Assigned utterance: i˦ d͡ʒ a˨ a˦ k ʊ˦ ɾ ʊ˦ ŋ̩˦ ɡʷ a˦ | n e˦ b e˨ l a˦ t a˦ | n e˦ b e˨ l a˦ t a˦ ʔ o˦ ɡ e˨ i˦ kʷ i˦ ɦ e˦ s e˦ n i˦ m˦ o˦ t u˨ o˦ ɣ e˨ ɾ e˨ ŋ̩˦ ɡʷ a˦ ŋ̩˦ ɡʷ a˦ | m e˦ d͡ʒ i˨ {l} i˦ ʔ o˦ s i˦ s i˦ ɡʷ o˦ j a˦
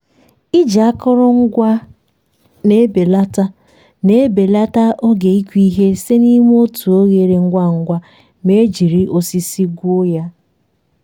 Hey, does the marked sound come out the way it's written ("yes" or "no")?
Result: no